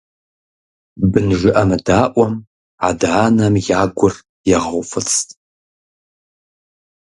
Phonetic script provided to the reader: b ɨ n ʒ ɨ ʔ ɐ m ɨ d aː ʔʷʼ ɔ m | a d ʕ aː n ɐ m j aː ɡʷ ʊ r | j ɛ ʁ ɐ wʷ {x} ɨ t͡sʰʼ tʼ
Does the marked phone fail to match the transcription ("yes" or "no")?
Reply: yes